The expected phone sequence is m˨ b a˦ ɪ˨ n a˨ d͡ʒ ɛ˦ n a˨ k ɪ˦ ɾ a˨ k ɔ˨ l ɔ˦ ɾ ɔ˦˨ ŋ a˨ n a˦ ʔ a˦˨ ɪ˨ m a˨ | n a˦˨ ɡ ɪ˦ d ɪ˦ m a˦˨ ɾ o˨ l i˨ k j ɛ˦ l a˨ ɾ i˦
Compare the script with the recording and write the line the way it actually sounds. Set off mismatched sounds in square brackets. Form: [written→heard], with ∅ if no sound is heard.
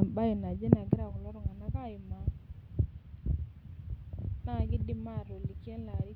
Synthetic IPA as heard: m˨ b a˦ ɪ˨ n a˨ d͡ʒ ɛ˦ n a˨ [k→ɡ] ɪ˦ ɾ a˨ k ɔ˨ l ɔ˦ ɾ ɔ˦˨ ŋ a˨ n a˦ [ʔ→k] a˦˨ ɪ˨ m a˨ | n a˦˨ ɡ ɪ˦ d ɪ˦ m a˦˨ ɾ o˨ l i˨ k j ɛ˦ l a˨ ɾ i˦